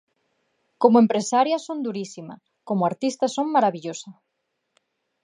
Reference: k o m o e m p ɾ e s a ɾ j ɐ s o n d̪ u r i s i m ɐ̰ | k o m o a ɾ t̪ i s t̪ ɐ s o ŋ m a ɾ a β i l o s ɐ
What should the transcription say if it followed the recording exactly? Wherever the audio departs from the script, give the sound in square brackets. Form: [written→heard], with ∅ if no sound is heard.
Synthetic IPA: k o m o e m p ɾ e s a ɾ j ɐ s o n d̪ u [r→ɾ] i s i m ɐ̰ | k o m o a ɾ t̪ i s t̪ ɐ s o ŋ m a ɾ a β i [l→ʎ] o s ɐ